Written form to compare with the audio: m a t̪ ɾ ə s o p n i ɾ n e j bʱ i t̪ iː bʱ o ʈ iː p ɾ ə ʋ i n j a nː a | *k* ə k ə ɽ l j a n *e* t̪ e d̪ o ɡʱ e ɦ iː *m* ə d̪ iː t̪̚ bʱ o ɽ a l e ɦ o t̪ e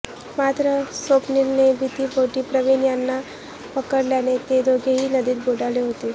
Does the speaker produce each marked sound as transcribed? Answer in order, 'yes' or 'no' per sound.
no, yes, no

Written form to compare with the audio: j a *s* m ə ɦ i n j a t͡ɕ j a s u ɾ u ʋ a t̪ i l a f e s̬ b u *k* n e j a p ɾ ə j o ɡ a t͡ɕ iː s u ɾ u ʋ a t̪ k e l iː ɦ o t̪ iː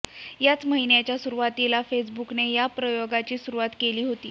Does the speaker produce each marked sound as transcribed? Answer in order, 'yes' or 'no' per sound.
no, yes

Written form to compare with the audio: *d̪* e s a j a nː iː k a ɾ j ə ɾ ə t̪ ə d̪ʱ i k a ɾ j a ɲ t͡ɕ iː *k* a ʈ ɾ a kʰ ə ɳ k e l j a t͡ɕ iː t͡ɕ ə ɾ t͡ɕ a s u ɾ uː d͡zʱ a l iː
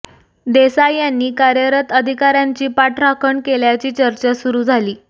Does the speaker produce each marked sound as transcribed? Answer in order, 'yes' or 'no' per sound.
yes, no

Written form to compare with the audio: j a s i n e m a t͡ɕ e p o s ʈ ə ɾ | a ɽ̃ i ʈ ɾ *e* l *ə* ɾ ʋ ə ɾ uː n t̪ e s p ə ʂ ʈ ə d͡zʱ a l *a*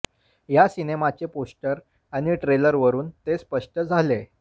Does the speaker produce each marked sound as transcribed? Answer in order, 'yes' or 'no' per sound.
yes, yes, no

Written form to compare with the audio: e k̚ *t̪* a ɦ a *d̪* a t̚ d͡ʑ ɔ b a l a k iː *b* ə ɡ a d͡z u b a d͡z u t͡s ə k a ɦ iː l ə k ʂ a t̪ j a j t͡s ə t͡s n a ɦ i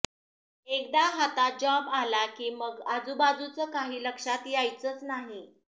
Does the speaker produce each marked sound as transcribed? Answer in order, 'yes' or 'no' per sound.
no, no, no

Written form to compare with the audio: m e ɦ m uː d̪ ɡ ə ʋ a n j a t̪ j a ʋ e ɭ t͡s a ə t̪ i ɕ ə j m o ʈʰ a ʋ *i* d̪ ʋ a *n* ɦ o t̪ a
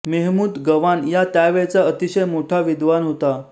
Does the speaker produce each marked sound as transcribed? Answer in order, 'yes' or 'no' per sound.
yes, yes

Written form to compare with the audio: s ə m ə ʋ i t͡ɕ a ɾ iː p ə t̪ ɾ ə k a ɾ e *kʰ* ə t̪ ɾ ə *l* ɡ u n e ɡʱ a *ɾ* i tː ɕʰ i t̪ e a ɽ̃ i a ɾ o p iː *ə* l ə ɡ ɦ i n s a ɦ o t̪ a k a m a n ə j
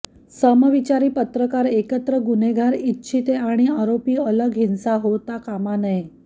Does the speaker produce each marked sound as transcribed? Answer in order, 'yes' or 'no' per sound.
no, no, yes, yes

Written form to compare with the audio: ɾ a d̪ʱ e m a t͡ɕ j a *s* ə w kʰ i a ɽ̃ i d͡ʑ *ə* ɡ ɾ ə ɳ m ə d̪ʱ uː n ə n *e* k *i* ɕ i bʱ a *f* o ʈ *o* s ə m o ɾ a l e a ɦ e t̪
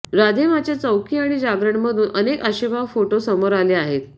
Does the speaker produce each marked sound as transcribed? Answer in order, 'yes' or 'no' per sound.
no, no, yes, no, yes, yes

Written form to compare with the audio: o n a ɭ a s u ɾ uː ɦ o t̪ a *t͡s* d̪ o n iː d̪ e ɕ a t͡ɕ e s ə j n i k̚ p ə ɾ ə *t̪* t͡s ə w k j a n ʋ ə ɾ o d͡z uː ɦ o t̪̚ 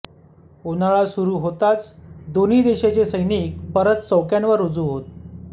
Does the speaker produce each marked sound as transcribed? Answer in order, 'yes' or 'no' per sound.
yes, yes

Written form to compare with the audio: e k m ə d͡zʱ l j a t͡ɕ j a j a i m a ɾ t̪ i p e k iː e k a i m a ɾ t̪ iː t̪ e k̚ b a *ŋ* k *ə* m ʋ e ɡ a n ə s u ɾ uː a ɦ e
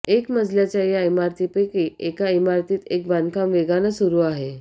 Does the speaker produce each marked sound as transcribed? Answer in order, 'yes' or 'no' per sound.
no, no

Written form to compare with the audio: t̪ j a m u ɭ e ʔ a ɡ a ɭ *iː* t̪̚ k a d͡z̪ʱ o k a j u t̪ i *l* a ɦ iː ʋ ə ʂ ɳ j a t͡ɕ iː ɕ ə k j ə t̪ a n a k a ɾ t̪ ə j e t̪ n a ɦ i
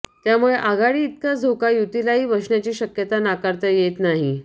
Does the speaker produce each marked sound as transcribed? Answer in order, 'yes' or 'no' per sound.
yes, yes

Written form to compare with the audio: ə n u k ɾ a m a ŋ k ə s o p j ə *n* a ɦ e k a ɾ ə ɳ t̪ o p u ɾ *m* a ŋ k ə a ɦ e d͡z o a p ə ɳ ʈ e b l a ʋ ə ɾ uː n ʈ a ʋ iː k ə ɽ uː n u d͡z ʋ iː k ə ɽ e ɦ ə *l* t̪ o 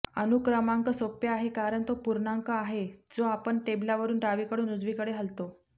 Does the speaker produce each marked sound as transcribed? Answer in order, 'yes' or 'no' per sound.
no, no, yes

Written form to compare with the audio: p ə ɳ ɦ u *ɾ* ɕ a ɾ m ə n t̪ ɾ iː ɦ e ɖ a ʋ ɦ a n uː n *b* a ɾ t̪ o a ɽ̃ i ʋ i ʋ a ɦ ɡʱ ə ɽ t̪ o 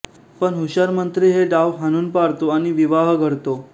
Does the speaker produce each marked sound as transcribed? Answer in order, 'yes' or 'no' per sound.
no, no

